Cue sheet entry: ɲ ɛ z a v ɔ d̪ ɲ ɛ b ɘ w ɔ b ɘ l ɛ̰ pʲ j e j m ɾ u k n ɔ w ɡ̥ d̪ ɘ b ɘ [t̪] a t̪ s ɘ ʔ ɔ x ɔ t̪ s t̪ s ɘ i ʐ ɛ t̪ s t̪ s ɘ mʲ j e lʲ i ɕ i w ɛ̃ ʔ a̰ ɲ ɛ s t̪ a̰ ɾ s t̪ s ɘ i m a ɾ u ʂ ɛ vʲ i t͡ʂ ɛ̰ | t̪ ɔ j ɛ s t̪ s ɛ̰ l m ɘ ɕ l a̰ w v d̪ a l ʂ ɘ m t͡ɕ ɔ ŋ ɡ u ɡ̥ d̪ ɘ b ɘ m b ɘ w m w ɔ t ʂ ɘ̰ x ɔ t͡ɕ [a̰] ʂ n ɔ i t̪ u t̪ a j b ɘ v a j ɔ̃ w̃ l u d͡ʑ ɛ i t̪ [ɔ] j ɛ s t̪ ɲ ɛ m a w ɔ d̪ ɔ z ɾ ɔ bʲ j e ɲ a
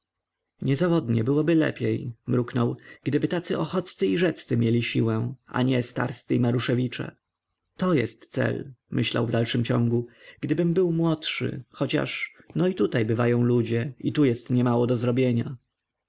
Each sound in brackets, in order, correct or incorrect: correct, correct, incorrect: u

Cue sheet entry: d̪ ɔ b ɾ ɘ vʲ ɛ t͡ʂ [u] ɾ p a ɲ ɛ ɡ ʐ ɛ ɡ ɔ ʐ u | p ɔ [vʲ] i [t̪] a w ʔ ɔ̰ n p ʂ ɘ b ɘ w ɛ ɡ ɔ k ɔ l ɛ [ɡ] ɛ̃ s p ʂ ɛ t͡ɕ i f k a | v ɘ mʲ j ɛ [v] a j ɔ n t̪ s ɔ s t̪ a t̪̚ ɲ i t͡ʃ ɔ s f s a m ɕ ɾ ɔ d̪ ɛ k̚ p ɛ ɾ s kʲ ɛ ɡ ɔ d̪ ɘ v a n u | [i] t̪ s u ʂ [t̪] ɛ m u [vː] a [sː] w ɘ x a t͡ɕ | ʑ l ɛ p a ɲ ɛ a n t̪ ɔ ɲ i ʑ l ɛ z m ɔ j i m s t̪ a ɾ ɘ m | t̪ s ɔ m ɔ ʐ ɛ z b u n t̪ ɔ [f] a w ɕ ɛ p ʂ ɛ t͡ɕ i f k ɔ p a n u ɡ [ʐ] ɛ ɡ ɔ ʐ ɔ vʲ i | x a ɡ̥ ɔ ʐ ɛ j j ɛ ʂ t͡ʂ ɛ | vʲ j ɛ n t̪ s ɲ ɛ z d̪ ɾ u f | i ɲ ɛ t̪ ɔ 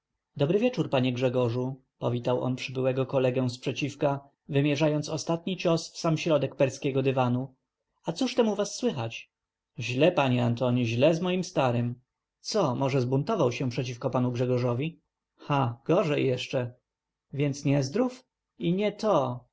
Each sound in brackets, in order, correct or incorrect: correct, correct, correct, correct, incorrect: ʐ, incorrect: a, correct, incorrect: v, correct, incorrect: v, correct

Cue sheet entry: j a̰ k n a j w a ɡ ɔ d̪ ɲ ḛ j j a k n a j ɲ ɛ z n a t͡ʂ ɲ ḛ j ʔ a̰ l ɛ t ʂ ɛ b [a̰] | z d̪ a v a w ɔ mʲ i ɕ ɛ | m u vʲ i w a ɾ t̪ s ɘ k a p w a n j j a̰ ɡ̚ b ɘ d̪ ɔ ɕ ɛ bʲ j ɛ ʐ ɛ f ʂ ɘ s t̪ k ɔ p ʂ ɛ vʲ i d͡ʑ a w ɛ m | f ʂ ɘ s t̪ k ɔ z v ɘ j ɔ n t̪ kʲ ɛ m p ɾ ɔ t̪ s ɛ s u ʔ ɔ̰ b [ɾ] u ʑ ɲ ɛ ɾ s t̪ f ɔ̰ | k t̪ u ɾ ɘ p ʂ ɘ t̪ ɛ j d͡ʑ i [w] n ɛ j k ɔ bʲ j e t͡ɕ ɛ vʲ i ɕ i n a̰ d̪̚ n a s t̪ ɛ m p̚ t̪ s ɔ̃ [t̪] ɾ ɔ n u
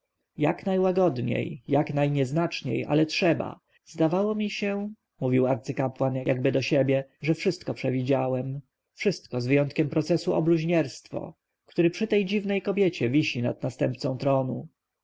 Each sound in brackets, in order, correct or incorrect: correct, incorrect: l, incorrect: v, correct

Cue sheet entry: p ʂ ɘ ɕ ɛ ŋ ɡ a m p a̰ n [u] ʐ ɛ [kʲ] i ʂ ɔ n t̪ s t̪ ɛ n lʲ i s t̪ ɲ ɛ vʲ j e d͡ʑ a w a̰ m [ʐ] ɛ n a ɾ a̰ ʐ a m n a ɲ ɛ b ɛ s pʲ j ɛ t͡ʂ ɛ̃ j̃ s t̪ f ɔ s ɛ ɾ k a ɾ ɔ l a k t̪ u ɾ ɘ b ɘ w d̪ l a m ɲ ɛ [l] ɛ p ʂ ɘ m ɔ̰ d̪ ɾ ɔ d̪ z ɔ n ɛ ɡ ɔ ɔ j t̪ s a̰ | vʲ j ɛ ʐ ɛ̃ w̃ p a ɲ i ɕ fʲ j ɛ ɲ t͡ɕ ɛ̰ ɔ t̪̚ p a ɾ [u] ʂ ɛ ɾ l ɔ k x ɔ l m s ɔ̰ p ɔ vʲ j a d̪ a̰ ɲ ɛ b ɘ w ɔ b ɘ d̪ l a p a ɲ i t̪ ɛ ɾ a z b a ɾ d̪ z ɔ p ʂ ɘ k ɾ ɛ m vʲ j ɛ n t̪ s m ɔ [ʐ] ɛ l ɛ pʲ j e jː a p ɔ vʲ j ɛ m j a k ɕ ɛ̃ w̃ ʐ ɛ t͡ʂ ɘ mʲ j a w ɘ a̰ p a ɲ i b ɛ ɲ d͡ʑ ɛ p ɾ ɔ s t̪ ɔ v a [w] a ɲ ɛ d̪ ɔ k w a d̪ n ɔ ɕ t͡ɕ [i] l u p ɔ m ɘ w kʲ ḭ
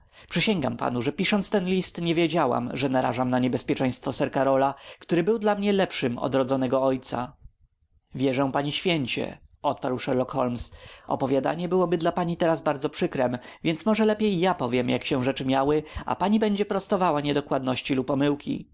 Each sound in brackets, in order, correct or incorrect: correct, incorrect: pʲ, correct, correct, incorrect: w, correct, correct, correct

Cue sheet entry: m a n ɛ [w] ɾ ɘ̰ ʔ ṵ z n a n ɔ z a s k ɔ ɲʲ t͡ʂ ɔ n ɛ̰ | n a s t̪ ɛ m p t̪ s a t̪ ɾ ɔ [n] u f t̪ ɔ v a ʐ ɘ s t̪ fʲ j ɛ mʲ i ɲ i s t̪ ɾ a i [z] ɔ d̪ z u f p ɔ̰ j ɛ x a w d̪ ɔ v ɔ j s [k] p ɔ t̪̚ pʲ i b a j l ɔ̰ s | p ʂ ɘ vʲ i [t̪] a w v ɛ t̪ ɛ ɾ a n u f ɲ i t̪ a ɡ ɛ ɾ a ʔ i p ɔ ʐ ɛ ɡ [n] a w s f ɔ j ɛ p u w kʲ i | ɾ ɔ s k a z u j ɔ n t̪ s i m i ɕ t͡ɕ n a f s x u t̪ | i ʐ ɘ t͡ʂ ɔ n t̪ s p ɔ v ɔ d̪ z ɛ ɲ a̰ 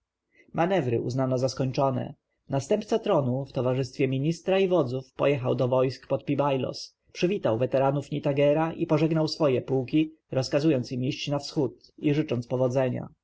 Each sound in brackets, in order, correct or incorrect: incorrect: v, correct, incorrect: v, correct, correct, correct

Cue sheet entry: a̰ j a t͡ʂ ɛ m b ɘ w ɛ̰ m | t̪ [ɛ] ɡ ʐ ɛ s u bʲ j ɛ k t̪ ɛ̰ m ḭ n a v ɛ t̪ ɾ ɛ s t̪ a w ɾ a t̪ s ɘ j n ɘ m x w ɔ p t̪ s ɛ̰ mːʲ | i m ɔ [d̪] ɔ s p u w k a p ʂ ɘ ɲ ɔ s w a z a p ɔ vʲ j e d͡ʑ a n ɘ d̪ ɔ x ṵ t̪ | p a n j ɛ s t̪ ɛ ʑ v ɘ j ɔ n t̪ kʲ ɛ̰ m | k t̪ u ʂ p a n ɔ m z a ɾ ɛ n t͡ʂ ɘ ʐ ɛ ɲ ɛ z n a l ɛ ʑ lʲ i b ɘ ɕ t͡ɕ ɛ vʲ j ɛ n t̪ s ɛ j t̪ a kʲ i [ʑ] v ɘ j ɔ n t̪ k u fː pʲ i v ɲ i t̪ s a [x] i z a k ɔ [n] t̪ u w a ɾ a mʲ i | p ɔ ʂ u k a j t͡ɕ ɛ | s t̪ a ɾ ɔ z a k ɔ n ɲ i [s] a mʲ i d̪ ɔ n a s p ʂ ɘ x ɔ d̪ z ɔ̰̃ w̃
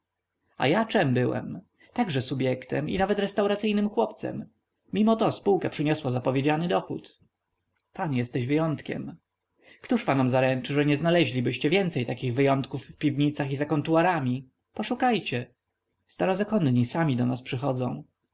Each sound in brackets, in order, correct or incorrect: incorrect: a, incorrect: t̪, incorrect: ɣ, correct, correct, correct

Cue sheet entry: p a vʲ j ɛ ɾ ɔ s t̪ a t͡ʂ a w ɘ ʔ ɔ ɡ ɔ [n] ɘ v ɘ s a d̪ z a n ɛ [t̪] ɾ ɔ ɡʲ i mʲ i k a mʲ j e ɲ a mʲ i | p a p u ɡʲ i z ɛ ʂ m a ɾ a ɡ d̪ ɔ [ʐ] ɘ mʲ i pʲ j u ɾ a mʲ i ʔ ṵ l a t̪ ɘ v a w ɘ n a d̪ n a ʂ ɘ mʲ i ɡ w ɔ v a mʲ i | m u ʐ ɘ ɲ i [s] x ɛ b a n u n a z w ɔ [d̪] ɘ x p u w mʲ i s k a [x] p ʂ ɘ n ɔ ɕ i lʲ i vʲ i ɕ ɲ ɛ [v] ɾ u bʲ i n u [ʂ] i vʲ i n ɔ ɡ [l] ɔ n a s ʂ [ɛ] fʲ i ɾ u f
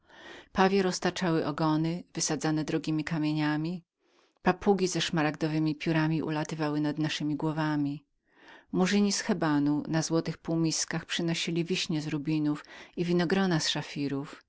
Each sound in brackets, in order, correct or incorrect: correct, incorrect: d̪, incorrect: v, correct, incorrect: t̪, correct, incorrect: z, incorrect: f, incorrect: ɾ, incorrect: a

